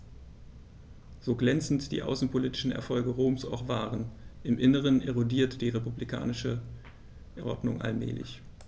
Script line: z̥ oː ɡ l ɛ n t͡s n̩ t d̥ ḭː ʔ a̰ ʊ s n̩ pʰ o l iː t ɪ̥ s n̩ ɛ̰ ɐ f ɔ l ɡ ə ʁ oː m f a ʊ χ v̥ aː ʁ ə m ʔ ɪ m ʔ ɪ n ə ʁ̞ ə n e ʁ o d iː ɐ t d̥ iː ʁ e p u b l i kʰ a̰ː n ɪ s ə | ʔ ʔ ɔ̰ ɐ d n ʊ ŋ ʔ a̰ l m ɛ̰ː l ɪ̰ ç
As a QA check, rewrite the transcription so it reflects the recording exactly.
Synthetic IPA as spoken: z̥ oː ɡ l ɛ n t͡s n̩ t d̥ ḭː ʔ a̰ ʊ s n̩ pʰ o l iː t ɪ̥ ʃ n̩ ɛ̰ ɐ f ɔ l ɡ ə ʁ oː m s a ʊ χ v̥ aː ʁ ə n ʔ ɪ m ʔ ɪ n ə ʁ̞ ə n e ʁ o d iː ɐ t d̥ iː ʁ e p u b l i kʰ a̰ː n ɪ ʃ ə | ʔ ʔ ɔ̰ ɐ d n ʊ ŋ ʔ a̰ l m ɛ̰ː l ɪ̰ ç